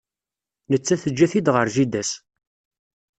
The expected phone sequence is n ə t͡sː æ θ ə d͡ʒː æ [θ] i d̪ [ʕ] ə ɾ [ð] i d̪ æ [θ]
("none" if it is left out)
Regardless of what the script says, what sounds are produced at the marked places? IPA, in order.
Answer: θ, ʁ, ʒ, s

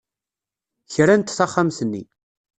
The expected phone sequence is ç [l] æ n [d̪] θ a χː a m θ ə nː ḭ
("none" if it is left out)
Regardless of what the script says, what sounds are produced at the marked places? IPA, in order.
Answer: ɾ, t̪

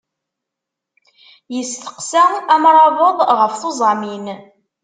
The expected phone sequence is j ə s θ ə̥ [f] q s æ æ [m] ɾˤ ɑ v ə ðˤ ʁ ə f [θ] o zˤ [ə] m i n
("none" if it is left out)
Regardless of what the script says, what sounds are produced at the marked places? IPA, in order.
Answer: none, m, θ, ɑ

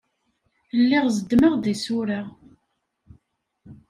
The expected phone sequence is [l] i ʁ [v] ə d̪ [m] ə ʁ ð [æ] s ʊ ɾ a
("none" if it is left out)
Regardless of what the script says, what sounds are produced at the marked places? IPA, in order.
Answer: lː, z, m, i

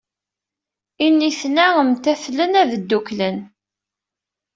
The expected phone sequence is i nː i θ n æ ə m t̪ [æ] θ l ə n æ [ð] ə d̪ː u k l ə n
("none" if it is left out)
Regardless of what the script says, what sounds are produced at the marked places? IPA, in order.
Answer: æ, ð

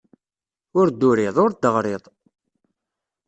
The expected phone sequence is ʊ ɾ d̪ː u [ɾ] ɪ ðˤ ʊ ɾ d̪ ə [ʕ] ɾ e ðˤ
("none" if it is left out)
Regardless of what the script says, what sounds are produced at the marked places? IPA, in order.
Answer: ɾ, ʁ

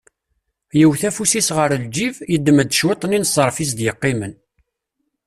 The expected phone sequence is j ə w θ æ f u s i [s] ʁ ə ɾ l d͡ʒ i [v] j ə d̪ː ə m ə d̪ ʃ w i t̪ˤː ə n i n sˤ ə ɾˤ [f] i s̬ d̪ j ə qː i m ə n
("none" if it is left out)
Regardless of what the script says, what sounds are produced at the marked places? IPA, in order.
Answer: s, v, f

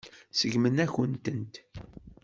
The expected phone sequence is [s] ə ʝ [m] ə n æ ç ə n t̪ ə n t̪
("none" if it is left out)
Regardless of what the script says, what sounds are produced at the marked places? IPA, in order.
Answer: s, m

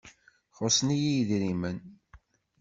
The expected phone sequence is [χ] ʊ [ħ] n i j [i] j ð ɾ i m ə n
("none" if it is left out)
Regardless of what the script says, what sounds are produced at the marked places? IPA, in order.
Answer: χ, s, i

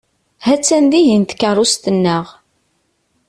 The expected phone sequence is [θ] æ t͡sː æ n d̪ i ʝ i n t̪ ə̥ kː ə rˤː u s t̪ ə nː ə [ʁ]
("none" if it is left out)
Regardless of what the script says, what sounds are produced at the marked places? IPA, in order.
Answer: h, ʁ

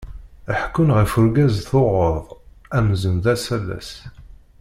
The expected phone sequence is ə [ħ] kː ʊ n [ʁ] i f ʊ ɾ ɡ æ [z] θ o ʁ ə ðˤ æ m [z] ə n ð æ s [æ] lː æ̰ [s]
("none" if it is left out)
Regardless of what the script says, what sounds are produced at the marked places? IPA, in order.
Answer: ħ, ʁ, z, z, æ, s

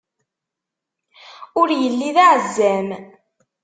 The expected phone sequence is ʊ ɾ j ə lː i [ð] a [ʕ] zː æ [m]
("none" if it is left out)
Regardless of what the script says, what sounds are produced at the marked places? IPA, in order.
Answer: ð, ʕ, m

